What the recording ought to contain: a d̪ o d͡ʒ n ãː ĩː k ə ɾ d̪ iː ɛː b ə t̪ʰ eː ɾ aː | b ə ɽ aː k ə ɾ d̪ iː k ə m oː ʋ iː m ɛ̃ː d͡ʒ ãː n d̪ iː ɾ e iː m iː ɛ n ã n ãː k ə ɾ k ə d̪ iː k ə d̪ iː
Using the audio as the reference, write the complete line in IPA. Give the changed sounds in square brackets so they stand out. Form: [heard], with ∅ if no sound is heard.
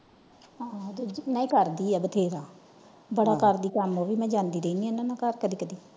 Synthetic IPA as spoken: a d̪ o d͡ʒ n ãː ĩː k ə ɾ d̪ iː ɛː b ə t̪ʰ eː ɾ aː | b ə ɽ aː k ə ɾ d̪ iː k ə m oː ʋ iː m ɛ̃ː d͡ʒ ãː n d̪ iː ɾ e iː [n] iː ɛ n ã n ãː k ə ɾ k ə d̪ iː k ə d̪ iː